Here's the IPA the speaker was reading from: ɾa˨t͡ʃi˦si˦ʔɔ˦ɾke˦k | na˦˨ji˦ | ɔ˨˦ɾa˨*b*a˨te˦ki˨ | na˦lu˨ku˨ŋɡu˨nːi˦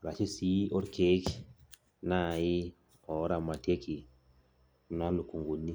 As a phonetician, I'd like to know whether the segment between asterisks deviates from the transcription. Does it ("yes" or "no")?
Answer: yes